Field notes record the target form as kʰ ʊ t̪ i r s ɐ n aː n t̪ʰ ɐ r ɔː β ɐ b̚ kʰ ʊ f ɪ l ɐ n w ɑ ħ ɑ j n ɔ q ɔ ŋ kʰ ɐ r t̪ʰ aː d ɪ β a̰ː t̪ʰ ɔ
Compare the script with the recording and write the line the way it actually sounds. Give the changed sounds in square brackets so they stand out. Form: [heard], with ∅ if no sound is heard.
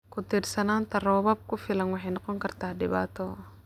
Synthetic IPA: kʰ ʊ t̪ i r s ɐ n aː n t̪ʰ ɐ r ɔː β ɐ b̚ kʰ ʊ f ɪ l ɐ n w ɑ ħ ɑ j n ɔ q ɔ ŋ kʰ ɐ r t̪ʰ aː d ɪ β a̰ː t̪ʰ ɔ